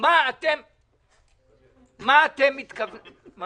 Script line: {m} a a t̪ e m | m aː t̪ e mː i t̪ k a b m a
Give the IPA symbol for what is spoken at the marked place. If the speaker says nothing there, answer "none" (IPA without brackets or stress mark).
m